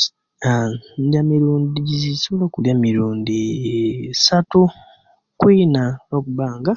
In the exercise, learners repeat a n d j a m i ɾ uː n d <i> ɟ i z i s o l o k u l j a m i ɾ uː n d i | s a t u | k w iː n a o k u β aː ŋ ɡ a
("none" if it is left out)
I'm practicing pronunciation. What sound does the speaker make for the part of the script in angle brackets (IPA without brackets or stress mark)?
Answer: i